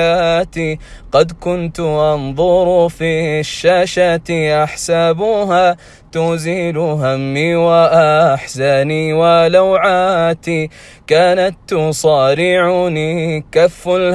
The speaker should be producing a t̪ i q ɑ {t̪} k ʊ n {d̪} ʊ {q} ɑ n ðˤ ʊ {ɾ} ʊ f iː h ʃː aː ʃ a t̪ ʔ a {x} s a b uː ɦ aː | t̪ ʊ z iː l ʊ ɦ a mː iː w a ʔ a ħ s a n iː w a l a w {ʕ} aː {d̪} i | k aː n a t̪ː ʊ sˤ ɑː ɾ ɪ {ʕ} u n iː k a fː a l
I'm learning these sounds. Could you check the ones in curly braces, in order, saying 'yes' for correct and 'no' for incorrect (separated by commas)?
no, no, no, yes, no, yes, no, yes